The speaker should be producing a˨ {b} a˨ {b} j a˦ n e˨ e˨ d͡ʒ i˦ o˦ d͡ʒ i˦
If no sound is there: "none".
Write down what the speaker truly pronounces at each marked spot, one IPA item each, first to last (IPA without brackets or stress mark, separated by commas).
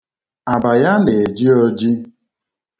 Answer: b, none